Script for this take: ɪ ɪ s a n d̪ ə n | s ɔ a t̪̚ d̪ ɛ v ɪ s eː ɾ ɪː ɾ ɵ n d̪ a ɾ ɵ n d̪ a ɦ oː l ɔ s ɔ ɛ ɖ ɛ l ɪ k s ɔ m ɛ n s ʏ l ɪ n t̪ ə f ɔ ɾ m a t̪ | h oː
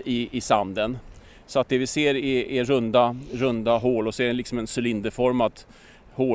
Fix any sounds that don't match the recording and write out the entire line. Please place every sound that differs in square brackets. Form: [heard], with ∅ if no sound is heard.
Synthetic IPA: ɪ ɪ s a n d̪ ə n | s ɔ a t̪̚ d̪ ɛ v ɪ s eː ɾ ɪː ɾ ɵ n d̪ a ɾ ɵ n d̪ a ɦ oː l ɔ s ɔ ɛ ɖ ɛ l ɪ k s ɔ m ɛ n s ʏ l ɪ n [d̪] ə f ɔ ɾ m a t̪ | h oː